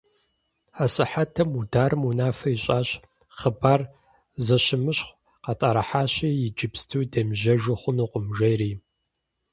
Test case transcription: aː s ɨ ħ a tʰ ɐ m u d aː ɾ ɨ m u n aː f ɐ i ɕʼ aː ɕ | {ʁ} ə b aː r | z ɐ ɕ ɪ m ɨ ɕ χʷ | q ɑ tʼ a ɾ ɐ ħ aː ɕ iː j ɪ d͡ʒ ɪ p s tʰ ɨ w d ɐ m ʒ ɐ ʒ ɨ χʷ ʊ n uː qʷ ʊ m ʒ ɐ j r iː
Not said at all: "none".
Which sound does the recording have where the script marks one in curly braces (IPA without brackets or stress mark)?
χ